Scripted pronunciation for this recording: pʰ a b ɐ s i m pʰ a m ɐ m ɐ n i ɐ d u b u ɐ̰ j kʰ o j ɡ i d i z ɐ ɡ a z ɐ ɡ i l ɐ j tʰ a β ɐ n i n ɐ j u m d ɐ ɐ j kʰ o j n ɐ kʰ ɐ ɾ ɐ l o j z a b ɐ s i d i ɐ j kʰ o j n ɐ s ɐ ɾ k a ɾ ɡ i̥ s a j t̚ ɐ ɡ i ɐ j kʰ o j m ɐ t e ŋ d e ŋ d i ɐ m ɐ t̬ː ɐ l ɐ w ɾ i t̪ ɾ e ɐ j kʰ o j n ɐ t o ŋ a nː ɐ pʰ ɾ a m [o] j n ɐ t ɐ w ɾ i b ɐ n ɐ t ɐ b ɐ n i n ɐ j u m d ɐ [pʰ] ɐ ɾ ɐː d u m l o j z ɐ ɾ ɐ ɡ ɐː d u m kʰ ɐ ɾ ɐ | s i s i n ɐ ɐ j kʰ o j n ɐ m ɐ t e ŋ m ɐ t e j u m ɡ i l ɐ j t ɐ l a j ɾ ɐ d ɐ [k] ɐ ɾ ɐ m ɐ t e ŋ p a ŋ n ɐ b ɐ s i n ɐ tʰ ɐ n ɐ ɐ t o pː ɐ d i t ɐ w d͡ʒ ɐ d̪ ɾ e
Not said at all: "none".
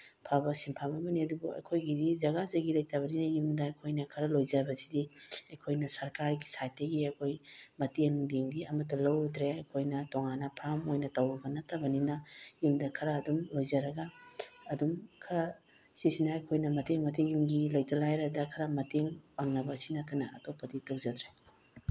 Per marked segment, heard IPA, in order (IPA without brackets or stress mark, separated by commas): o, kʰ, kʰ